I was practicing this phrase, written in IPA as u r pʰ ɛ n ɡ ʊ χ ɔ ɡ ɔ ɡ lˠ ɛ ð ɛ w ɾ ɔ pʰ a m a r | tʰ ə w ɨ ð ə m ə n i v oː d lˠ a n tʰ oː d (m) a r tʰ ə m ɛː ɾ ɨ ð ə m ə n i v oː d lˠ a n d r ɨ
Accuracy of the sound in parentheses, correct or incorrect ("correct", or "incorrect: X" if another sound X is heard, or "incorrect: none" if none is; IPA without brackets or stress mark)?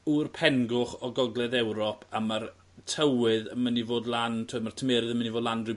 correct